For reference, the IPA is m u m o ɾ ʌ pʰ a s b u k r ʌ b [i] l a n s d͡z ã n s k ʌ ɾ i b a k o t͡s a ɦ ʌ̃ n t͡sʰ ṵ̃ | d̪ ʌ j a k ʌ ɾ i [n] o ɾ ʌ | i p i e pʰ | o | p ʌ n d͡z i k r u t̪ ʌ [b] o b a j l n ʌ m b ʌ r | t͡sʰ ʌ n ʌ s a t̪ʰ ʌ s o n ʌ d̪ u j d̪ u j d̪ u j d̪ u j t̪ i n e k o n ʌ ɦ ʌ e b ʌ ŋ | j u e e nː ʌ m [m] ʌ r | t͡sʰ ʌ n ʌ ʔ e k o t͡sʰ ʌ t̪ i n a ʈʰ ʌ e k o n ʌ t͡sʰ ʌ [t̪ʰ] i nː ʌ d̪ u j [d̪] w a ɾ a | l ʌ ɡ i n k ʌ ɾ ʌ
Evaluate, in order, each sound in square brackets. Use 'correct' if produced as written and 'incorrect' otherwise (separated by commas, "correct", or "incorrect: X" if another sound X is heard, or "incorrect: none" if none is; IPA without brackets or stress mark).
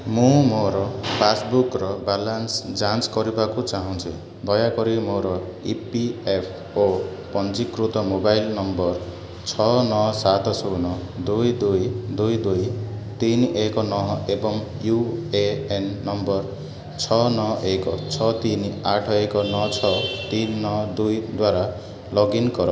incorrect: a, incorrect: m, incorrect: m, incorrect: b, incorrect: t̪, correct